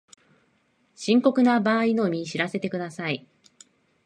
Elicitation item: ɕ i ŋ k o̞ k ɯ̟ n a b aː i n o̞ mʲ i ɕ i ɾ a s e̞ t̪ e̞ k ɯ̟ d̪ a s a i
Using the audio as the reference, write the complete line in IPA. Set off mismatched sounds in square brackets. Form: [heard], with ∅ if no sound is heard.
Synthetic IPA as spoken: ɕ [ĩ] ŋ k o̞ k ɯ̟ n a b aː i n o̞ mʲ i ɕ i ɾ a s e̞ t̪ e̞ k ɯ̟ d̪ a s a i